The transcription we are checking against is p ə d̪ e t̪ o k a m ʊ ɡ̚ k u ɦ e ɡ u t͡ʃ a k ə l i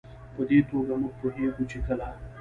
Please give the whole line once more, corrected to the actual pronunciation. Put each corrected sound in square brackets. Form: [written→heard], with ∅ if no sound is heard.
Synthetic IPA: p ə d̪ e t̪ o [k→ɡ] a m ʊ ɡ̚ [k→p] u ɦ e ɡ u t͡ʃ [a→e] k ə l [i→a]